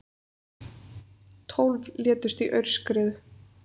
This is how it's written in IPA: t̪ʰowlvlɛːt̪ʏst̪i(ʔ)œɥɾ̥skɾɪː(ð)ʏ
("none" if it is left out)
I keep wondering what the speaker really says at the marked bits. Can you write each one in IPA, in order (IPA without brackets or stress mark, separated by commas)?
ʔ, ð